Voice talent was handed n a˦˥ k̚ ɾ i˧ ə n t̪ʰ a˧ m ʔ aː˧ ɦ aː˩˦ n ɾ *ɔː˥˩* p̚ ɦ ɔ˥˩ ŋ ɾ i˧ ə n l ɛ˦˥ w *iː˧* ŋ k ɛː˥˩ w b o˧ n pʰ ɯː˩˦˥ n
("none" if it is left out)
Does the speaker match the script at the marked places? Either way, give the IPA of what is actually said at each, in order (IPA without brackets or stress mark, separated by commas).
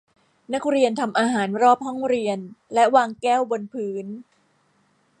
ɔː˥˩, aː˧